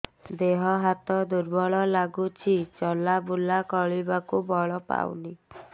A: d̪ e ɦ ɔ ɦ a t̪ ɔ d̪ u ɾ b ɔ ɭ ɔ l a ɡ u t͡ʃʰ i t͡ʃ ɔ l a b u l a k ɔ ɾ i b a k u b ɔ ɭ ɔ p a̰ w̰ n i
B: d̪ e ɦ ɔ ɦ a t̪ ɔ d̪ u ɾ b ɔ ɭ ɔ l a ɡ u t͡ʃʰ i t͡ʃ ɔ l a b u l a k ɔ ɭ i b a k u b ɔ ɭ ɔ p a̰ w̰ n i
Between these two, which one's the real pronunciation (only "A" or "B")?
B